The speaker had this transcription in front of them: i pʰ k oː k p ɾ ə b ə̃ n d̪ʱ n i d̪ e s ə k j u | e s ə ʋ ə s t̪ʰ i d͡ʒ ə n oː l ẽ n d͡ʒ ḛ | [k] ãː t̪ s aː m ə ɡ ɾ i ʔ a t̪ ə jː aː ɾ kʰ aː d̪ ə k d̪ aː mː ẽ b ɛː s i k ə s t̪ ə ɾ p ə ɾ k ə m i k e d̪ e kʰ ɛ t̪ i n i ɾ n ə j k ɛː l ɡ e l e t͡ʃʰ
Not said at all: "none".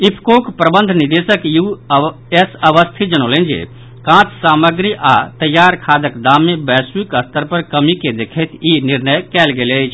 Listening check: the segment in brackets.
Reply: k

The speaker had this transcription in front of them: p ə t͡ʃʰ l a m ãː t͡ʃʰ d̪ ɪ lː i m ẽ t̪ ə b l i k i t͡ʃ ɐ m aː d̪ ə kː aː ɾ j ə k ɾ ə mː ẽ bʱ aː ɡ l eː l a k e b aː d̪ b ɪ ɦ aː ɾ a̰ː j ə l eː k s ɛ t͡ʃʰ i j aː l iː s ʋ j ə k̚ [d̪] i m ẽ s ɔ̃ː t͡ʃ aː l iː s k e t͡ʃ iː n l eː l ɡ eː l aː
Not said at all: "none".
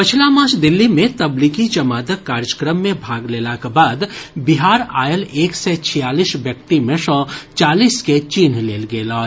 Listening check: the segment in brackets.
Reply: t̪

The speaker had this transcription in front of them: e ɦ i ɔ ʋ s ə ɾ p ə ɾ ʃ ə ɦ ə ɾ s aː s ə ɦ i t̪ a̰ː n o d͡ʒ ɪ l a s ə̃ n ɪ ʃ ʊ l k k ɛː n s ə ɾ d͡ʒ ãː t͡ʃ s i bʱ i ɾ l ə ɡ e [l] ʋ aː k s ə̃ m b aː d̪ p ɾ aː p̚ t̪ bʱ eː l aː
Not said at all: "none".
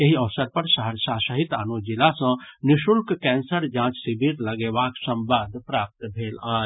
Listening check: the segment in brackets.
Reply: none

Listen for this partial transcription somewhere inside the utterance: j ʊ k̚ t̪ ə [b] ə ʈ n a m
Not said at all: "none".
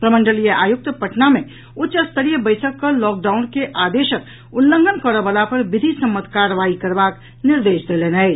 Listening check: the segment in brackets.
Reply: p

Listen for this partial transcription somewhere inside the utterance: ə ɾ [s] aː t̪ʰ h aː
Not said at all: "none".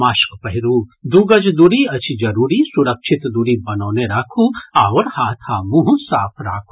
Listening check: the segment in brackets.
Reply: h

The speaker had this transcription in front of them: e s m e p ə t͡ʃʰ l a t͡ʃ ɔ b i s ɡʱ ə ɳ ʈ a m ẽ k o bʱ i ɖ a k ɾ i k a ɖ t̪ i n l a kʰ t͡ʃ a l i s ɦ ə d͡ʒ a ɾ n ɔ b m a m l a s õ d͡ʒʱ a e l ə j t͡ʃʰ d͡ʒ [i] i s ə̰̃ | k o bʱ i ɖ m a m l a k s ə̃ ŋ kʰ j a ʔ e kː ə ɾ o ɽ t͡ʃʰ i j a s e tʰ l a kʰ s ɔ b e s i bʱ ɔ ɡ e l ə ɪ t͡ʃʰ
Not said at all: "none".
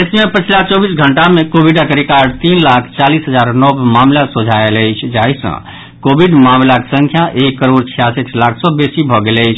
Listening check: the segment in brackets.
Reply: a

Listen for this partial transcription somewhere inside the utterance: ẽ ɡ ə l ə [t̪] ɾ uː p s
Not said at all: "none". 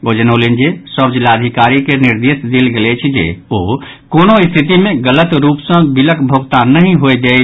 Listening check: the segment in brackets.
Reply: t̪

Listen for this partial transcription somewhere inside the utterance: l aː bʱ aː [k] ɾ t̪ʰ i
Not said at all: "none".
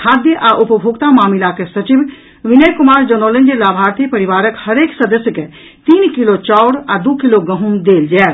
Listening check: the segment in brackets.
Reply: none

